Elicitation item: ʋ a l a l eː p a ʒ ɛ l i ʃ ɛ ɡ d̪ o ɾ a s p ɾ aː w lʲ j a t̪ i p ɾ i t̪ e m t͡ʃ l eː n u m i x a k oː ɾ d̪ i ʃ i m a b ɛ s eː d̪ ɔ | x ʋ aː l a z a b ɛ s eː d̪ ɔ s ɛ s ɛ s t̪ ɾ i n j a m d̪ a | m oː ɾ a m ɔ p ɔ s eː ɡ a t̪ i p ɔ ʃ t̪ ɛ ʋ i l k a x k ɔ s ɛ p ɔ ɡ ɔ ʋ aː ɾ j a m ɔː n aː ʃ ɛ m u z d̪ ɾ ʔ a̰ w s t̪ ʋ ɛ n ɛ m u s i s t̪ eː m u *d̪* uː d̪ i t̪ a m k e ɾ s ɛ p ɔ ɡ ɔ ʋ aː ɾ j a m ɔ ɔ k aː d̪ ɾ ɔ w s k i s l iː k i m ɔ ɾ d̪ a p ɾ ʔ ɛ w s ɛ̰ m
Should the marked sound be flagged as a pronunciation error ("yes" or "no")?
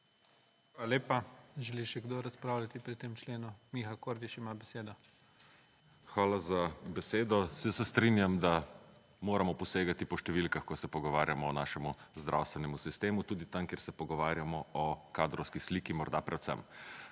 yes